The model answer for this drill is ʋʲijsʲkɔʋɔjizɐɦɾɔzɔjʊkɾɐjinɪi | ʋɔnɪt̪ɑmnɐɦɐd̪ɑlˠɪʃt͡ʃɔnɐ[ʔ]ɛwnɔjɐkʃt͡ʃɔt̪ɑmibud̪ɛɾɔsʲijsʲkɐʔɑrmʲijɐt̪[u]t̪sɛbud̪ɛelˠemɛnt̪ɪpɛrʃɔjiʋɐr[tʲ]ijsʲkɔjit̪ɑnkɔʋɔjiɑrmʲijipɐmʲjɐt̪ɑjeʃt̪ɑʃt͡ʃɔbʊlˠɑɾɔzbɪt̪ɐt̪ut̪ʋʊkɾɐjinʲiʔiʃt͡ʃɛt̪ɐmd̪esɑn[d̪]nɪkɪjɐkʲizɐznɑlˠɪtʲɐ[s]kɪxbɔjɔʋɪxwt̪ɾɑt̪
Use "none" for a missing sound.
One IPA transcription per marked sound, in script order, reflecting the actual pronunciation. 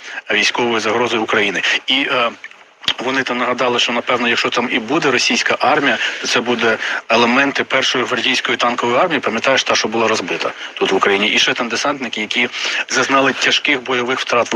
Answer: p, ɔ, dʲ, t̪, ʃ

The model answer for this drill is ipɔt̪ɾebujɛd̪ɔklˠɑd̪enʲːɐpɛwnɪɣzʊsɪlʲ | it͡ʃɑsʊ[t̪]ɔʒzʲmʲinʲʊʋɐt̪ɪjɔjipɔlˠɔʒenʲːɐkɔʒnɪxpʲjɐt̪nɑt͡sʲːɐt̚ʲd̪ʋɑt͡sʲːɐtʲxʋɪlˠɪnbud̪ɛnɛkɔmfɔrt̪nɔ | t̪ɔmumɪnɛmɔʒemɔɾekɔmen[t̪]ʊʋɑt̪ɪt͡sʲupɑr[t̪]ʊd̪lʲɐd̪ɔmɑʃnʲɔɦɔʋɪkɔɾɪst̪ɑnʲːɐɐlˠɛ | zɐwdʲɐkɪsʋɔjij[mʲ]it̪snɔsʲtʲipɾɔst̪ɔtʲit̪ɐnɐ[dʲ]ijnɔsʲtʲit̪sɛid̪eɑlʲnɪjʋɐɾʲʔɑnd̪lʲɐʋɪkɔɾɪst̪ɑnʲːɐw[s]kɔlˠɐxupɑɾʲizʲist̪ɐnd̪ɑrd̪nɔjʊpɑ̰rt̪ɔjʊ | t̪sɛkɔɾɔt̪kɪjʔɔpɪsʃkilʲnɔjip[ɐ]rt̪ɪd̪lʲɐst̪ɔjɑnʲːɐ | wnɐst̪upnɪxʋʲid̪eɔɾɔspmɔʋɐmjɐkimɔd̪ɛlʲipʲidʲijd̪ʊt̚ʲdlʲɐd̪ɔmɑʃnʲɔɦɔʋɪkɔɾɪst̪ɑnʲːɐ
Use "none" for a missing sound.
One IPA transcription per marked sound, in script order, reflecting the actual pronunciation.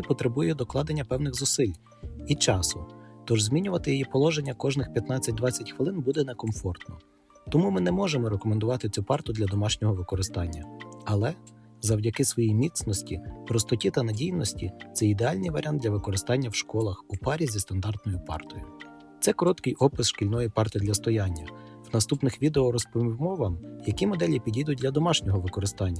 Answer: t̪, d̪, t̪, mʲ, dʲ, ʃ, ɑ

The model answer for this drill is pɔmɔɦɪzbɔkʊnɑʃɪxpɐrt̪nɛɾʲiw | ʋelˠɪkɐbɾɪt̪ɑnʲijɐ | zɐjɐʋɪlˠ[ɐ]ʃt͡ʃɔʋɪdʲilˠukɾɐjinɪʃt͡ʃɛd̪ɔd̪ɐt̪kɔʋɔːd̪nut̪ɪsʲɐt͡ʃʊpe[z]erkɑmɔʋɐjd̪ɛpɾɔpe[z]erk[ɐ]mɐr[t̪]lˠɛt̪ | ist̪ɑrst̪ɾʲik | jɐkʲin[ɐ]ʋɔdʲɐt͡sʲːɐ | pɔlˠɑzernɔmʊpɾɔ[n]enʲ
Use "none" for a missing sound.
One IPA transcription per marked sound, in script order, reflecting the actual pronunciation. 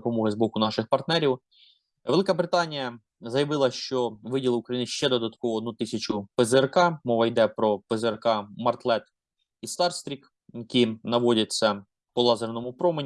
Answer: ɐ, z, z, ɑ, t̪, ɐ, m

